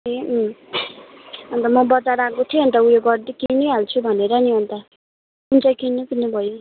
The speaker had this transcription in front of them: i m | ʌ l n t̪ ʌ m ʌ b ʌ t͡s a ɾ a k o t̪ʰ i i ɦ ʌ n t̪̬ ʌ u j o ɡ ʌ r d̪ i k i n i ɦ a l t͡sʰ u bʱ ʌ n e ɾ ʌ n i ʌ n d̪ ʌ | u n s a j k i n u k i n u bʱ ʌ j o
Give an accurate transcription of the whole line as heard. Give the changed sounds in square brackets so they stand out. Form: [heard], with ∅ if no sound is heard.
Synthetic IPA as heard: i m | ʌ [∅] n t̪ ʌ m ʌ b ʌ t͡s a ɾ a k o t̪ʰ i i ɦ ʌ n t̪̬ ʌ u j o ɡ ʌ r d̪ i k i n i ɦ a l t͡sʰ u bʱ ʌ n e ɾ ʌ n i ʌ n [t̪] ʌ | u n [t͡s] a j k i n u k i n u bʱ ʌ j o